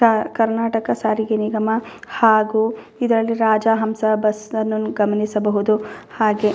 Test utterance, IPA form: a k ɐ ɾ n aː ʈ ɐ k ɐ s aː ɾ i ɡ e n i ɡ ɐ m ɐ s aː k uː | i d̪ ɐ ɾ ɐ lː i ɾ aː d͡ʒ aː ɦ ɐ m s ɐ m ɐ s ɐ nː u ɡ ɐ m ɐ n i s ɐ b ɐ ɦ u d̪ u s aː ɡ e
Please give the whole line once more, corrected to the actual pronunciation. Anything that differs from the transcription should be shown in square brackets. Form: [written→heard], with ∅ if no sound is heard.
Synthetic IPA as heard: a k ɐ ɾ n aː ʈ ɐ k ɐ s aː ɾ i ɡ e n i ɡ ɐ m ɐ [s→h] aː [k→ɡ] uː | i d̪ ɐ ɾ ɐ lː i ɾ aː d͡ʒ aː ɦ ɐ m s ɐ [m→b] ɐ s ɐ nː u ɡ ɐ m ɐ n i s ɐ b ɐ ɦ u d̪ u [s→h] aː ɡ e